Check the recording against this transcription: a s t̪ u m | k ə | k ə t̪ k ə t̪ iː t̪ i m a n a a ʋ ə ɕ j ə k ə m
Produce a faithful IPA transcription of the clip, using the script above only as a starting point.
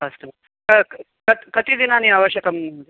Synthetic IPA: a s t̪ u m | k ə | k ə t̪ k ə t̪ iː d̪ i n a n i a ʋ ə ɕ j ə k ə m